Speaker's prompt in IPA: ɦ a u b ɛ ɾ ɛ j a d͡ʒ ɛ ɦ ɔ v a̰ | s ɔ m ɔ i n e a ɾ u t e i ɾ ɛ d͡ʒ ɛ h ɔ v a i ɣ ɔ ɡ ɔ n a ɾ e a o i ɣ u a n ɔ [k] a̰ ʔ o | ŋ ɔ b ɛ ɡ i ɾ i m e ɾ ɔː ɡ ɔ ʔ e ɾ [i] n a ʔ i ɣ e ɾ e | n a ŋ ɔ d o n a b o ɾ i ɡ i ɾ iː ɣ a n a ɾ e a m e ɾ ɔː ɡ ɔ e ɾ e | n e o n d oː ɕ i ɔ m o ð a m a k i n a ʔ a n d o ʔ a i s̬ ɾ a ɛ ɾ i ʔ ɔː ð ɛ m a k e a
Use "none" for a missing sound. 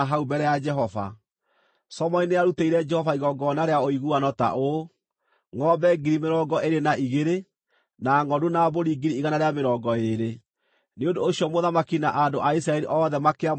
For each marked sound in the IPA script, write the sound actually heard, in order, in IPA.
t, e

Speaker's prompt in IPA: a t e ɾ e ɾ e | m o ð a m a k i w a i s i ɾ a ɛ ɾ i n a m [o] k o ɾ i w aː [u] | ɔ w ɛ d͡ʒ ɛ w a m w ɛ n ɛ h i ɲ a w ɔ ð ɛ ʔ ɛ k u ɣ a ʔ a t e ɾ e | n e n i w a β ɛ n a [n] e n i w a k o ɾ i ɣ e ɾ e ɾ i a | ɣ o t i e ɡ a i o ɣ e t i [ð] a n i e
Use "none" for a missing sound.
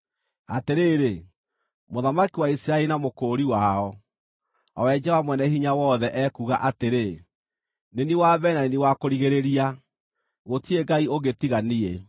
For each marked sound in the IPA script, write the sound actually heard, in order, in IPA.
o, ɔ, n, ɣ

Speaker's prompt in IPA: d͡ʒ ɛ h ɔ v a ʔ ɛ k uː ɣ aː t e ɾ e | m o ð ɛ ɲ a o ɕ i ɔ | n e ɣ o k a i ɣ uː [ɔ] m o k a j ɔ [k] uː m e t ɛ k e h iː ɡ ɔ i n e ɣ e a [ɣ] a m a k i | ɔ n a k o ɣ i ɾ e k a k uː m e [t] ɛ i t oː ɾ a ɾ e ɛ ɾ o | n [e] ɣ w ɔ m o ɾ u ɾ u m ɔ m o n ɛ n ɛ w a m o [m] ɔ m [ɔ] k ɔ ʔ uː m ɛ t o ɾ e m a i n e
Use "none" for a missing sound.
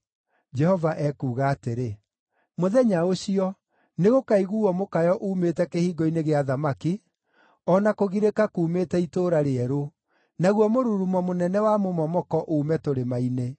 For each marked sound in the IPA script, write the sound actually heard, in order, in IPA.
ɔ, ʔ, ð, t, a, m, ɔ

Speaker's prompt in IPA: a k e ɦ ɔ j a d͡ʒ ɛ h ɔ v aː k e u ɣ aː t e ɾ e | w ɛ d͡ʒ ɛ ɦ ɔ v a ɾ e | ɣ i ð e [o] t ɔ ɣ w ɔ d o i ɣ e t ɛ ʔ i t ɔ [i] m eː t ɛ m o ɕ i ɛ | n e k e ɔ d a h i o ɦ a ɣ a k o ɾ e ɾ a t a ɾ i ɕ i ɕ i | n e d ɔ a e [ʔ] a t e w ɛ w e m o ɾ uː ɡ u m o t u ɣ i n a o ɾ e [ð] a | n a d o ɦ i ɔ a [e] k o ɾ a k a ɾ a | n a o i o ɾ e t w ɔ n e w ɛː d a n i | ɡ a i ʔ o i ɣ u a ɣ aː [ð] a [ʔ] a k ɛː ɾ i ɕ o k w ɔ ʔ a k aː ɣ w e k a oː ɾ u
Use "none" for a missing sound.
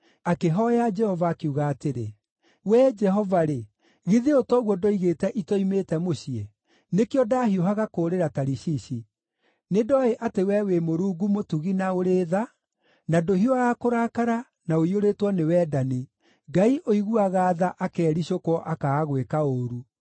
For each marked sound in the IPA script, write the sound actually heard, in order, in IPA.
o, i, ʔ, ð, a, ð, ʔ

